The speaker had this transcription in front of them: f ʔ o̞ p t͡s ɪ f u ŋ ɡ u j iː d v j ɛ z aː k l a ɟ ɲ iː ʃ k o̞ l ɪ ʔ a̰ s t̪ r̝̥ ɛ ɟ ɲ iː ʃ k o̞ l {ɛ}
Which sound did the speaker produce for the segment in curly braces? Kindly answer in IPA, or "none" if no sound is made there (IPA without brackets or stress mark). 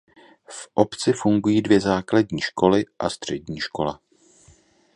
a